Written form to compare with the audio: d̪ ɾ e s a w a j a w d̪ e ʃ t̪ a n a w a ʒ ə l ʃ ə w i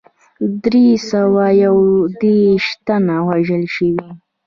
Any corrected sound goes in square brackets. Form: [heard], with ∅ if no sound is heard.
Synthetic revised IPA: d̪ ɾ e s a w a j a w d̪ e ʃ t̪ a n a w a ʒ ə l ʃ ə w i